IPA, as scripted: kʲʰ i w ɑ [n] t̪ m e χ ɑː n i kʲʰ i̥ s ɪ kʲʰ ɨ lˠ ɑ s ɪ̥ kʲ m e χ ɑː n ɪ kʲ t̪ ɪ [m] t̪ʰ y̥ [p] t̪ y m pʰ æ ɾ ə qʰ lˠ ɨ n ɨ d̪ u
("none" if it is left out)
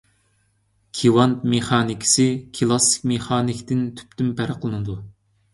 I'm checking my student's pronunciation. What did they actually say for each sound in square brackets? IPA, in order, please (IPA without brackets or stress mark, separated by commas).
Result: n, n, p